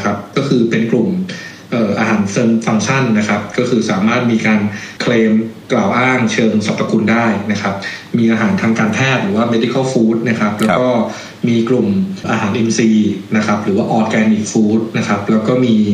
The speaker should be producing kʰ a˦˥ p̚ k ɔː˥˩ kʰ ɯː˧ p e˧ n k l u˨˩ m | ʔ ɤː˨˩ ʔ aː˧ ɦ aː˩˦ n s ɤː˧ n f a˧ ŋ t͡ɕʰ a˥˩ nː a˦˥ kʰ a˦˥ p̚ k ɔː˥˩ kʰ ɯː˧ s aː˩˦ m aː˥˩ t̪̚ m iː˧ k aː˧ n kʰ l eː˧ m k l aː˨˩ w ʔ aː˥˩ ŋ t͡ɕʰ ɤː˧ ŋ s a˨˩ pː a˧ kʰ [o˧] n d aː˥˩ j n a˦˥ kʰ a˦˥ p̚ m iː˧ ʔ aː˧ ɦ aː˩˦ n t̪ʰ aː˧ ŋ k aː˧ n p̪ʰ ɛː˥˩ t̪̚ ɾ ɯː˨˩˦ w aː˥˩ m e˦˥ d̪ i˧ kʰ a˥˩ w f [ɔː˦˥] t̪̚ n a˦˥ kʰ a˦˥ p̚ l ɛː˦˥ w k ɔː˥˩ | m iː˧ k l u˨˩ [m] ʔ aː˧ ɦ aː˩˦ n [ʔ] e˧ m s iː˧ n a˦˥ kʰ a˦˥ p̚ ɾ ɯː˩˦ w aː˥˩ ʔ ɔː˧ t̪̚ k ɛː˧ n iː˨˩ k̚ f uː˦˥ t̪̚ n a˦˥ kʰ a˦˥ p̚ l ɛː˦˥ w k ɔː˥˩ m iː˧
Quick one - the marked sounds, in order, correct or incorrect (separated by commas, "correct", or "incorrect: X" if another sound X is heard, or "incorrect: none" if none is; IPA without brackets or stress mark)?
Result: incorrect: u˧, incorrect: uː˦˥, correct, correct